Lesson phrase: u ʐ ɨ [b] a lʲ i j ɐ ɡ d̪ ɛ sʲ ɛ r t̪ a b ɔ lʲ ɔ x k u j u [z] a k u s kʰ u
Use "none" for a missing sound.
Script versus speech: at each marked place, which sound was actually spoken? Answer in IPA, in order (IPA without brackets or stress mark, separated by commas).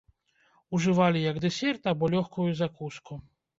v, z